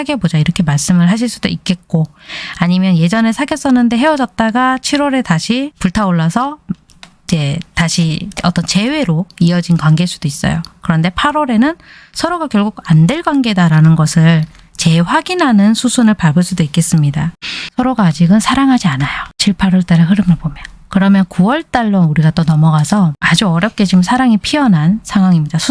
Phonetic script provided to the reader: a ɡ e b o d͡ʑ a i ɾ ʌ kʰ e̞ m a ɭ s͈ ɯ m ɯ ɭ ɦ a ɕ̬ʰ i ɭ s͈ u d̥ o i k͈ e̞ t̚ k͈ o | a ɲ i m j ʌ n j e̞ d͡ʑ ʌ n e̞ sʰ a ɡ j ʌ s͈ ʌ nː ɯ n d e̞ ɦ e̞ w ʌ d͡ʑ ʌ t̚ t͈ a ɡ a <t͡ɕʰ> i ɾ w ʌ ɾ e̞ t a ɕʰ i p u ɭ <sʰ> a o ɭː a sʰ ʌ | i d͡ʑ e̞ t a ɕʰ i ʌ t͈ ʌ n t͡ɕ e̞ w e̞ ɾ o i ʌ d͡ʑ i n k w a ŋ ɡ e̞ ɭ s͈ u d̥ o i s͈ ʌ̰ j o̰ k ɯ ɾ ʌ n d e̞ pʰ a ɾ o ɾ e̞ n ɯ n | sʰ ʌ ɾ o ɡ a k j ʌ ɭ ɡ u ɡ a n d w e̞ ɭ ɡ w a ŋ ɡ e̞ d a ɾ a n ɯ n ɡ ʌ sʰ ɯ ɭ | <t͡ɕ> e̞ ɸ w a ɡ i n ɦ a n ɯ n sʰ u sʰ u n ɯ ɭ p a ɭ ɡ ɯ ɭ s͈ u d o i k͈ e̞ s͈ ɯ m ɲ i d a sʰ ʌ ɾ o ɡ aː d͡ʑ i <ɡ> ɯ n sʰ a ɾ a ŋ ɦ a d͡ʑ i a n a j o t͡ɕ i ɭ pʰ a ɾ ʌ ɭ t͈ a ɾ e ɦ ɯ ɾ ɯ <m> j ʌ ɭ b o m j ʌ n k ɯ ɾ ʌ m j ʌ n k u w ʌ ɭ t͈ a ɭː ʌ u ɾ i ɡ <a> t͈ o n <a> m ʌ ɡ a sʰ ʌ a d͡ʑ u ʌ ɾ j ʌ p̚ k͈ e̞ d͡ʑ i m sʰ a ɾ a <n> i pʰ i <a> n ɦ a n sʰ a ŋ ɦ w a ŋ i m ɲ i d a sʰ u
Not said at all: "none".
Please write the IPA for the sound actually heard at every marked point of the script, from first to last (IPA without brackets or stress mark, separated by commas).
t͡ɕʰ, tʰ, t͡ɕ, ɡ, m, a, ʌ, ŋ, ʌ